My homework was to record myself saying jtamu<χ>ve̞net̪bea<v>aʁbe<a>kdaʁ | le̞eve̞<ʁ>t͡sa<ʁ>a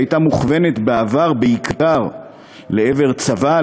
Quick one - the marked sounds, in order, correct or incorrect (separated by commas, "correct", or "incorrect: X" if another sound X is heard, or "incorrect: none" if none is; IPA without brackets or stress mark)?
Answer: correct, correct, incorrect: i, correct, incorrect: v